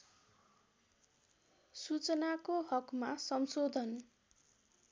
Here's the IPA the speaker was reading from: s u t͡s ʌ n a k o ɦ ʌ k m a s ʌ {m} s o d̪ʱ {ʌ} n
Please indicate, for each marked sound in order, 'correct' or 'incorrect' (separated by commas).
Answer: correct, correct